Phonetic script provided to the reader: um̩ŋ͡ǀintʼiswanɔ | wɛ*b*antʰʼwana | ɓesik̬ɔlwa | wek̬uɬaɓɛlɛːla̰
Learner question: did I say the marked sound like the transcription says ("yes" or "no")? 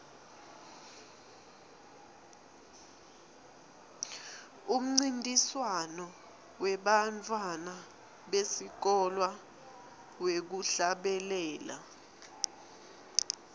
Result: no